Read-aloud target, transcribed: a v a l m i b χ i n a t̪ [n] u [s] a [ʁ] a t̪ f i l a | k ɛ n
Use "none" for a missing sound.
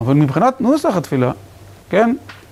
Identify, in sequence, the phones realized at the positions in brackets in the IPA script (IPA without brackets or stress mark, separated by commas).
n, s, χ